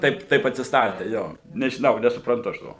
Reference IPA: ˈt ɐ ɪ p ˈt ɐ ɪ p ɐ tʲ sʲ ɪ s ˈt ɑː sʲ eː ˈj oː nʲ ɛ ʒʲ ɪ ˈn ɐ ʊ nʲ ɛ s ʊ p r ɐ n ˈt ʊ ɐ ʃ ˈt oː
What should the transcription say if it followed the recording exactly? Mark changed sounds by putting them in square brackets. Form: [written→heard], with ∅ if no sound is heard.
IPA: ˈt ɐ ɪ p ˈt ɐ ɪ p ɐ tʲ sʲ ɪ s ˈt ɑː [sʲ→tʲ] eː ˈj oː nʲ ɛ ʒʲ ɪ ˈn ɐ ʊ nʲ ɛ s ʊ p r ɐ n ˈt ʊ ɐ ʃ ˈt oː